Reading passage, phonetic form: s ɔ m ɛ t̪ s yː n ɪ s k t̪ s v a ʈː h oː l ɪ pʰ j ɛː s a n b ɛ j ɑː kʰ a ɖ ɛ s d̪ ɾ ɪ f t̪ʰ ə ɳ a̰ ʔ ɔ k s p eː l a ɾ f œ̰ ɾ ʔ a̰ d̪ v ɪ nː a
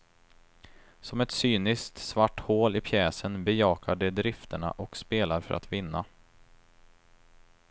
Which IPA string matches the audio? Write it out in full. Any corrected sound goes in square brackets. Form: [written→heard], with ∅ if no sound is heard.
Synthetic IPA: s ɔ m ɛ t̪ s yː n ɪ s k t̪ s v a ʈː h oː l ɪ pʰ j ɛː s [a→ə] n b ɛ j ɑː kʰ a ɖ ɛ [s→∅] d̪ ɾ ɪ f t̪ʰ ə ɳ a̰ ʔ ɔ k s p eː l a ɾ f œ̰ ɾ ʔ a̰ [d̪→t̪] v ɪ nː a